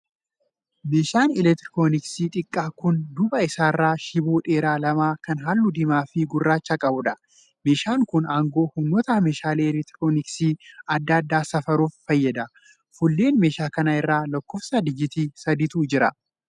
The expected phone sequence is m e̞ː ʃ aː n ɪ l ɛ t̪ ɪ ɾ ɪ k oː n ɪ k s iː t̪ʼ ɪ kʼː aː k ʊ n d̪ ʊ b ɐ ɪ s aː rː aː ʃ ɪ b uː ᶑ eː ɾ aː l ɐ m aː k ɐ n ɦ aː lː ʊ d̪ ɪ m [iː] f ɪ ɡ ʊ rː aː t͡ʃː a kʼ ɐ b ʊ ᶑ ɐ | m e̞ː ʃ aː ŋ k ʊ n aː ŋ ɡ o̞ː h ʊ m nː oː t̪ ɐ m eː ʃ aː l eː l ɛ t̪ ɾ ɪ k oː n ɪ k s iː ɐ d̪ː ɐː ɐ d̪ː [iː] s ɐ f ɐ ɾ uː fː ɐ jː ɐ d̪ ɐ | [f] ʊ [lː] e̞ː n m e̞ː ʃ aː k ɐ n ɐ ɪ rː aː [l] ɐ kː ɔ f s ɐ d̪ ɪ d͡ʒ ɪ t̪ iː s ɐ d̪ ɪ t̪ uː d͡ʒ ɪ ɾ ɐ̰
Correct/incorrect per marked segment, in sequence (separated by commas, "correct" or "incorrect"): incorrect, incorrect, correct, correct, correct